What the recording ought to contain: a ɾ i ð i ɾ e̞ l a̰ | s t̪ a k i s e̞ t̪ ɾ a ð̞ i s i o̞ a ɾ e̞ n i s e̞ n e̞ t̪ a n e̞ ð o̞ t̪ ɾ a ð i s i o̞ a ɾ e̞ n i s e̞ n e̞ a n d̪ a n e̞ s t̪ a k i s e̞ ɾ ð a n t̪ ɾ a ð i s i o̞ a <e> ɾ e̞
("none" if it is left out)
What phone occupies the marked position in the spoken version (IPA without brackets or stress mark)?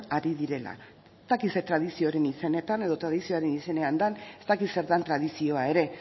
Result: e